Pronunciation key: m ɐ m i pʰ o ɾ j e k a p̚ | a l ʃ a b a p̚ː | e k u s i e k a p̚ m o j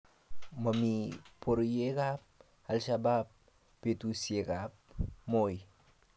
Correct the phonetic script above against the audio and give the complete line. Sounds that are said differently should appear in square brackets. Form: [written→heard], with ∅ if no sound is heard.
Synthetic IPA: m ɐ m i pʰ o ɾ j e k a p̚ | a l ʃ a b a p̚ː | e [k→t] u s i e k a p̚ m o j